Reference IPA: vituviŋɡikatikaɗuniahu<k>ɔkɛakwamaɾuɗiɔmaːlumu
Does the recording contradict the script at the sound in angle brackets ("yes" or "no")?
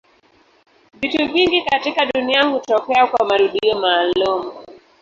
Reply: yes